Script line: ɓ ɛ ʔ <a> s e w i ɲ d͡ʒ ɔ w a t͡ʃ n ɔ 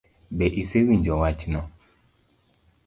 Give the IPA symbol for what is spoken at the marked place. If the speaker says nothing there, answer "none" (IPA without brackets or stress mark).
i